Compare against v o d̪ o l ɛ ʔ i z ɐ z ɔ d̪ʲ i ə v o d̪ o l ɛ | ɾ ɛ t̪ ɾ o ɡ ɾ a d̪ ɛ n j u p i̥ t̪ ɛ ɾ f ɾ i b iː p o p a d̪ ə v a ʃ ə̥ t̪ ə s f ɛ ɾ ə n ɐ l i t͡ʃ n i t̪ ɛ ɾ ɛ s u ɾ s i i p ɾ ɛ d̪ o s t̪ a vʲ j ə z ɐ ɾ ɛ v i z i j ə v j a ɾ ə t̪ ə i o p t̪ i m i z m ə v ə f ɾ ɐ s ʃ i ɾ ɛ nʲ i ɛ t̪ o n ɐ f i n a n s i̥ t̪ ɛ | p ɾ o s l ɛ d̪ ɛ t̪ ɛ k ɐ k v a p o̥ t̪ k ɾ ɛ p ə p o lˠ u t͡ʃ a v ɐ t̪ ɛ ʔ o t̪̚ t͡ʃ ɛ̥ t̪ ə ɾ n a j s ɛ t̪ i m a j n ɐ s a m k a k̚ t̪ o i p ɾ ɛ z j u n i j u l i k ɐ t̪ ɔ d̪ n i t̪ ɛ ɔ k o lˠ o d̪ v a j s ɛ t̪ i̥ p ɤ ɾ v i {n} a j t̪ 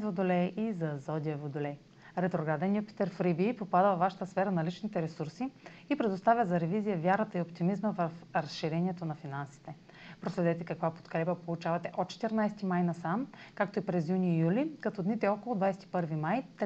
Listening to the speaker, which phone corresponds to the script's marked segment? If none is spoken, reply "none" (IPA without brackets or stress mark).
m